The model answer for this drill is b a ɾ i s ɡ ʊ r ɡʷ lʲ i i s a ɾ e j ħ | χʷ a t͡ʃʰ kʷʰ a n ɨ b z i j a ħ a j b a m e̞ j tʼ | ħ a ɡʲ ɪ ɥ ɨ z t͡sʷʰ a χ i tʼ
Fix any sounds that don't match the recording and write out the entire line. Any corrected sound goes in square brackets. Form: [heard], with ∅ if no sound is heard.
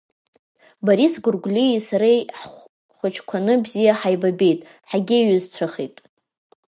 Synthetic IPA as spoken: b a ɾ i s ɡ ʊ r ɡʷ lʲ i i s a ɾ e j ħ | χʷ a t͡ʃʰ kʷʰ a n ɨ b z i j a ħ a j b a [b] e̞ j tʼ | ħ a ɡʲ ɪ ɥ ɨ z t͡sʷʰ a χ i tʼ